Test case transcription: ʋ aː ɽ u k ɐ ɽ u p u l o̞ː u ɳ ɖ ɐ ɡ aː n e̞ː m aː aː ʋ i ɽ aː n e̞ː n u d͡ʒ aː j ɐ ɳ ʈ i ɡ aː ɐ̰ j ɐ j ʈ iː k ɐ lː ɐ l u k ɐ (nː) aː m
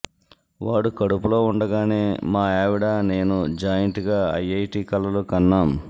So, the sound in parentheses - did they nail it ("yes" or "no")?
yes